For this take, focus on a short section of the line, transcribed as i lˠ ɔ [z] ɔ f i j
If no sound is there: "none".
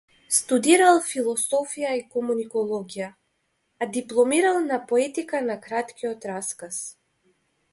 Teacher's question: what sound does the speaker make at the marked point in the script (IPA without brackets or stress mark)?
s